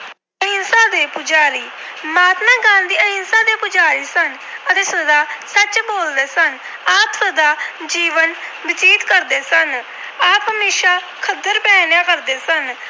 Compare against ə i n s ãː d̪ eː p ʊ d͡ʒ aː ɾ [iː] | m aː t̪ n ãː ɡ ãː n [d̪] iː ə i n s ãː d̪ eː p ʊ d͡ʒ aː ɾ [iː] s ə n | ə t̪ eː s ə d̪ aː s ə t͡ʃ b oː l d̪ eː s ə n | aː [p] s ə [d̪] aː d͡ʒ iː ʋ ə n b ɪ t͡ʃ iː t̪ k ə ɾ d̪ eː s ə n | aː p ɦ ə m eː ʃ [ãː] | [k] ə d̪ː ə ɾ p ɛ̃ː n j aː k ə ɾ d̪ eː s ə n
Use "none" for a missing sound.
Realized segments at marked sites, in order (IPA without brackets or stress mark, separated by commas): iː, d̪, iː, p, d̪, aː, kʰ